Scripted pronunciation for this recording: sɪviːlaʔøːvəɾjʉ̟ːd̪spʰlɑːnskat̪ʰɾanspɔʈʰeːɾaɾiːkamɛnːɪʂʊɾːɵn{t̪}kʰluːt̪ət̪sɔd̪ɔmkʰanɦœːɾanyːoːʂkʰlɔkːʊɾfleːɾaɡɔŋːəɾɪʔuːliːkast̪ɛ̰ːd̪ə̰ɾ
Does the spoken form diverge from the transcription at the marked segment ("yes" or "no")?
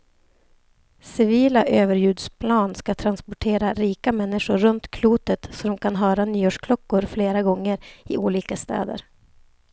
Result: no